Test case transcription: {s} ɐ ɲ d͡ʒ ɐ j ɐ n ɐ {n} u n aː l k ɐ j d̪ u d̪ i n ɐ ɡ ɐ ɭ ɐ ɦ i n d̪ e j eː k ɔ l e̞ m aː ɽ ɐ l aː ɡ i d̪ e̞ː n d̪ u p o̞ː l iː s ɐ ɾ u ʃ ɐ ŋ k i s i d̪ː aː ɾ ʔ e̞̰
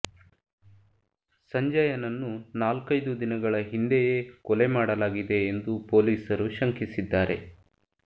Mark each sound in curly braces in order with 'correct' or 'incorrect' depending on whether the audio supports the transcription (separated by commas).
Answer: correct, incorrect